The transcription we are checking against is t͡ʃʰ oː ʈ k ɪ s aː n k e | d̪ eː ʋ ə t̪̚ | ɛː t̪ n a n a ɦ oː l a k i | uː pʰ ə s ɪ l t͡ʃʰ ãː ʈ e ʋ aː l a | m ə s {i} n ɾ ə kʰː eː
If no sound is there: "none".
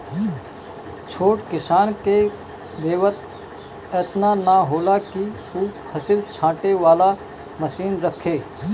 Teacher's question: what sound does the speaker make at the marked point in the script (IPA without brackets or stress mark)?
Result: iː